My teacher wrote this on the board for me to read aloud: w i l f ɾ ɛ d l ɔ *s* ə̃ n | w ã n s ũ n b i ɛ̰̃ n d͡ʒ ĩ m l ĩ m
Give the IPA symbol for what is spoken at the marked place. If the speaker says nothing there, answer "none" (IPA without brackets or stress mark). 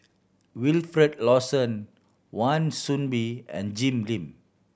s